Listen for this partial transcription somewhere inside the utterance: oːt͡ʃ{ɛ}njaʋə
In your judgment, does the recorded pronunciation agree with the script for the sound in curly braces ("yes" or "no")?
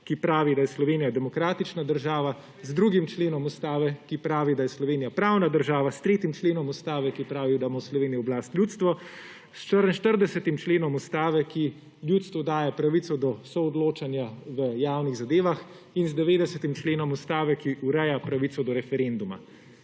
no